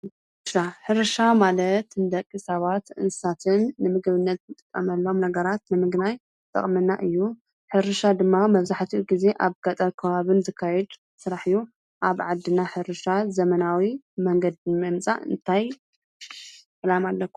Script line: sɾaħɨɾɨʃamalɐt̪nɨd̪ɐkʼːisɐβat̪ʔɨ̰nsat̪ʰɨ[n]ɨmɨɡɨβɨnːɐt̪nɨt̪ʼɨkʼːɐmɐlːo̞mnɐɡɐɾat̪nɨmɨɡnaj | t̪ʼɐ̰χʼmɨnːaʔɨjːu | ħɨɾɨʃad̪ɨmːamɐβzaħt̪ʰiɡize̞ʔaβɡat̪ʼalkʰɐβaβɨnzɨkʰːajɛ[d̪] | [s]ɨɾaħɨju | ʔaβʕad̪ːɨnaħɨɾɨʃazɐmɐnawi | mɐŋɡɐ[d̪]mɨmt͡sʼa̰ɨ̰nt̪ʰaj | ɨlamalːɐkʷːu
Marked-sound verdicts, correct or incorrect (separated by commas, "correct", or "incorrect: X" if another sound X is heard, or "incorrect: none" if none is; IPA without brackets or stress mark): incorrect: nː, correct, correct, correct